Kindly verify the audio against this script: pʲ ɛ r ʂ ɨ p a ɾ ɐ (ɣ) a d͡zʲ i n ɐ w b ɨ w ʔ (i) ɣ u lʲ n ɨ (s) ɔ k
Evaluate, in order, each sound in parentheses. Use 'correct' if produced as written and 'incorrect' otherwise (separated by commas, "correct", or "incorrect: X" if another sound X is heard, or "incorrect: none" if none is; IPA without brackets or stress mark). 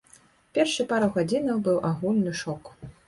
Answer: correct, incorrect: a, incorrect: ʂ